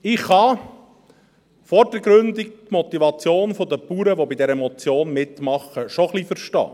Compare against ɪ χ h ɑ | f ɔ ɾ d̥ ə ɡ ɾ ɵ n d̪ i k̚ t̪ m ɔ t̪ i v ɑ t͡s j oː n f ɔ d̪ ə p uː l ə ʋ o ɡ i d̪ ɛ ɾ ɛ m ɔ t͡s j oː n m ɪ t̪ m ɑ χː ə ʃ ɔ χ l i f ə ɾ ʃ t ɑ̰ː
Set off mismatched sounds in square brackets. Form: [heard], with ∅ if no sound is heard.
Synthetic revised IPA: ɪ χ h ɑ | f ɔ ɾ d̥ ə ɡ ɾ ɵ n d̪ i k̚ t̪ m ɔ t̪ i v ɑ t͡s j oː n f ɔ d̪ ə p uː [ɾ] ə ʋ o [b] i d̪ ɛ ɾ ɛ m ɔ t͡s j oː n m ɪ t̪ m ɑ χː ə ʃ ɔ χ l i f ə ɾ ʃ t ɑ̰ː